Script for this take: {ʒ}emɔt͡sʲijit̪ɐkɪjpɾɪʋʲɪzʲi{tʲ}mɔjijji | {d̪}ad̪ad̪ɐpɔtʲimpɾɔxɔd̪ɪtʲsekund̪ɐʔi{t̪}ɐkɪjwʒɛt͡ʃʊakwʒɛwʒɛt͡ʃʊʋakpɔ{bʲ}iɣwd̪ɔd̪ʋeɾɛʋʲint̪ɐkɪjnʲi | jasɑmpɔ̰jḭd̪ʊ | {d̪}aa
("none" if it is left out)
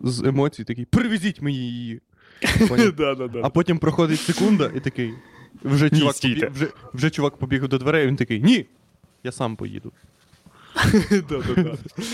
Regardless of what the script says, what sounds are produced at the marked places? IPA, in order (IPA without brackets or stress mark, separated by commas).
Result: z, tʲ, d̪, t̪, bʲ, d̪